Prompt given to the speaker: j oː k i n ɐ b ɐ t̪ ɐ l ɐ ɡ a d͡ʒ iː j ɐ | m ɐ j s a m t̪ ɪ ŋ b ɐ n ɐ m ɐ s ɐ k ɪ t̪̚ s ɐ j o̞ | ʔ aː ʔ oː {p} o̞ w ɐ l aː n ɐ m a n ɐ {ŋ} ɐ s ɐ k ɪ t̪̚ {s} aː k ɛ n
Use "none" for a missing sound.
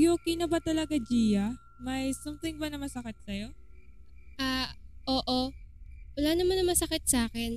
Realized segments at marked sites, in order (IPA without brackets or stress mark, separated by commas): ʔ, m, s